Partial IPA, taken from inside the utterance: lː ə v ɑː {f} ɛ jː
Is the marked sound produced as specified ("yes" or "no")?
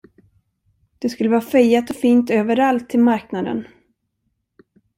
yes